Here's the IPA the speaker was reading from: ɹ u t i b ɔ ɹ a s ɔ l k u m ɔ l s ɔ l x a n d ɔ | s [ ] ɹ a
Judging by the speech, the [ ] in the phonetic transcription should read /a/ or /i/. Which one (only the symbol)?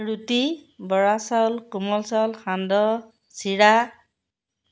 i